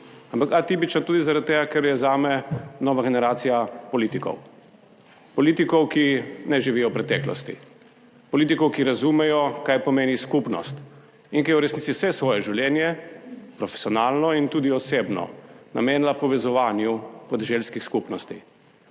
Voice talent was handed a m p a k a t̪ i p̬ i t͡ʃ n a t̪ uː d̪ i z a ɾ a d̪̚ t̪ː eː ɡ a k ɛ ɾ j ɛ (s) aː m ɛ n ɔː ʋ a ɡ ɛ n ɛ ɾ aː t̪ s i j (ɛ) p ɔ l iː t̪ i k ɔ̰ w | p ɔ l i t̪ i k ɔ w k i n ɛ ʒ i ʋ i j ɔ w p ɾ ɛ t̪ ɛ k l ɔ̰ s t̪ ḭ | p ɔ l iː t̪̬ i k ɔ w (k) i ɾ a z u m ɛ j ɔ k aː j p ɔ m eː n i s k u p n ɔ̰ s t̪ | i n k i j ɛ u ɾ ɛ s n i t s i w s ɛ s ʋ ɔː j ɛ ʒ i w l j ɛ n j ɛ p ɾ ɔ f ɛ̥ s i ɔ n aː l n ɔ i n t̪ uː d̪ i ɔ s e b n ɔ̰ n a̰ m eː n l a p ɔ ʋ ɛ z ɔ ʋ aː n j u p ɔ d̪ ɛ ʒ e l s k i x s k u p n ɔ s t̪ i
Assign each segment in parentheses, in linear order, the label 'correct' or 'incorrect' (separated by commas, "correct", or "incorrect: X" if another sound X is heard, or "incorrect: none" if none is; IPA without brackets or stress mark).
incorrect: z, incorrect: a, correct